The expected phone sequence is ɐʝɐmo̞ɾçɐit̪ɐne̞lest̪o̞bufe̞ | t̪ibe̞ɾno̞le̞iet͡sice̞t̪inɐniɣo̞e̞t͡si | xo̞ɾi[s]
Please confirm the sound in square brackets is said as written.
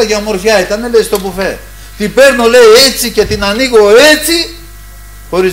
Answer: no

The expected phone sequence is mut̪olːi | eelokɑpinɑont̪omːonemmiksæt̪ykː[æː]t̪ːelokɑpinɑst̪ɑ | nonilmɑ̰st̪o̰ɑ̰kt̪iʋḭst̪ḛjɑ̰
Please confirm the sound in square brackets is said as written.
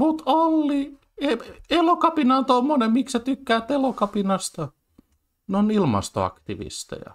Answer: yes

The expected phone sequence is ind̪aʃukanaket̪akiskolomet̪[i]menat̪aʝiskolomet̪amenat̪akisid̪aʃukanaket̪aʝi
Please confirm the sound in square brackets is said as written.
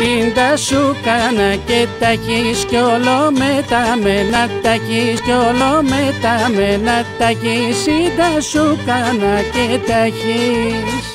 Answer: no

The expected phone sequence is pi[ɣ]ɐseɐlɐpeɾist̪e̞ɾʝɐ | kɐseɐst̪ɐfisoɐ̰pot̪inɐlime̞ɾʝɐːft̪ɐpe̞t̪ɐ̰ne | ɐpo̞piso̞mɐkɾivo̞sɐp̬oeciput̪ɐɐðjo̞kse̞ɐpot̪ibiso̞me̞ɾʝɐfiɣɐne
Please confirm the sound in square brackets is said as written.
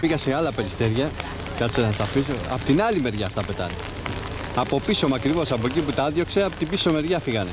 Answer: yes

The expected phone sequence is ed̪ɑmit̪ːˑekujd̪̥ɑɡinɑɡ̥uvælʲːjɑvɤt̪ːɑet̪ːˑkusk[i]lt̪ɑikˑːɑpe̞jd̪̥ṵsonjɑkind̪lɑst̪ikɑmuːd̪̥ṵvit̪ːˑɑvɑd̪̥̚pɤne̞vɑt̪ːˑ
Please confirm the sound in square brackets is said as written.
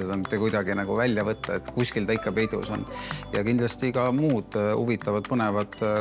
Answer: yes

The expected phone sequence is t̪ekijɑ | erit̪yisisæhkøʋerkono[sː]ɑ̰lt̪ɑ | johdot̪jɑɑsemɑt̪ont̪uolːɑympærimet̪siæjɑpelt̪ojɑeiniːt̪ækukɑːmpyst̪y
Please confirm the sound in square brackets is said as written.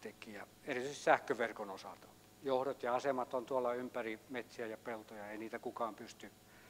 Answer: no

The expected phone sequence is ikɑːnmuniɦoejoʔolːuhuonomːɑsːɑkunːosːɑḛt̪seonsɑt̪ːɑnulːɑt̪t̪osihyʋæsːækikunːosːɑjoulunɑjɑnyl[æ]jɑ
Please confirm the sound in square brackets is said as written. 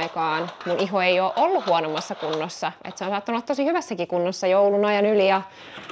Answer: no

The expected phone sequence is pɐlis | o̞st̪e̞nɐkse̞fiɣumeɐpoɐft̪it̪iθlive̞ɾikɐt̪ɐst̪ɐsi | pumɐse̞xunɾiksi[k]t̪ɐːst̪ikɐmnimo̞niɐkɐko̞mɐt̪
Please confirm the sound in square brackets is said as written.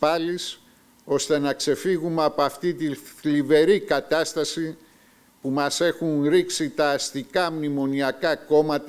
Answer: no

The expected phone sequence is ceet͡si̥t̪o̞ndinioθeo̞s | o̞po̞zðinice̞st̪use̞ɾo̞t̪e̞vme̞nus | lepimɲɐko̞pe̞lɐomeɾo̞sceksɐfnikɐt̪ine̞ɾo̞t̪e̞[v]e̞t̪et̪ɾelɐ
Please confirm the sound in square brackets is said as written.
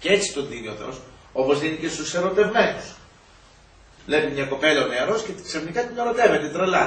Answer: yes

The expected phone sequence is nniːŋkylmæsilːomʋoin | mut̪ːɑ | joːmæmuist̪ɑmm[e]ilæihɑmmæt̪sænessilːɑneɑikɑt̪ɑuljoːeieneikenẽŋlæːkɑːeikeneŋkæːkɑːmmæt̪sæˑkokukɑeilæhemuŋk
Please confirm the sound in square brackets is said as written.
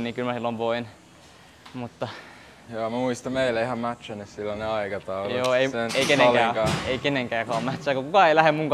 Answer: yes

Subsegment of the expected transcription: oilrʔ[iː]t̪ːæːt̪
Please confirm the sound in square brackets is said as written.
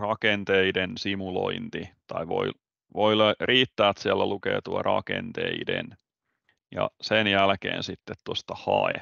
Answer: yes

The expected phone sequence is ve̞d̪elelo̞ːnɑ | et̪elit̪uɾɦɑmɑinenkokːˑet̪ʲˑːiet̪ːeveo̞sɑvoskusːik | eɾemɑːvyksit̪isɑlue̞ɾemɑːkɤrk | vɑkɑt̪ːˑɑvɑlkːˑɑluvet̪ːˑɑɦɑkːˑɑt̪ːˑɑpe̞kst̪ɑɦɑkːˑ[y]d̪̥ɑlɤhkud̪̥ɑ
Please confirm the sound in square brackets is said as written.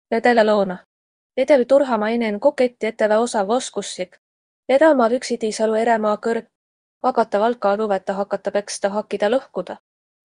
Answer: no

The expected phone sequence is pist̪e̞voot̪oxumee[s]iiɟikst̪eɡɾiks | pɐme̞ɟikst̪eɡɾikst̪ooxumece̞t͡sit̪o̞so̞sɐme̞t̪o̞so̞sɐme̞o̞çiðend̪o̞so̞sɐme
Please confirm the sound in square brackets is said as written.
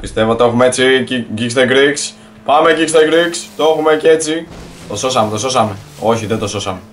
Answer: no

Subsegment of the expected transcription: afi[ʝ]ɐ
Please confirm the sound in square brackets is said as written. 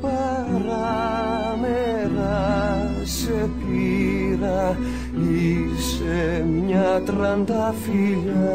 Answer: no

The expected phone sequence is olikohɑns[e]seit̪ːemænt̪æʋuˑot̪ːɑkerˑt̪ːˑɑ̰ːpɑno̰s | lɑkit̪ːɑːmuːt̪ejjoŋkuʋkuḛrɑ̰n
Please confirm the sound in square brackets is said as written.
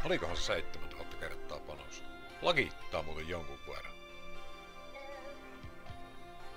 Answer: yes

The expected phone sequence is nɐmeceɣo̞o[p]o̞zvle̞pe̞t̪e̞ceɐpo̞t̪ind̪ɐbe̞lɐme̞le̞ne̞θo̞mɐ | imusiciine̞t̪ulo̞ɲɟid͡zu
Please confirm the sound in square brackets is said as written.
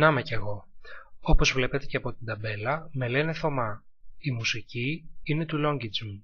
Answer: yes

